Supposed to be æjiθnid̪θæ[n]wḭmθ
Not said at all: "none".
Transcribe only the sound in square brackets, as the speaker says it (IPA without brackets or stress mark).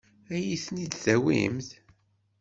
none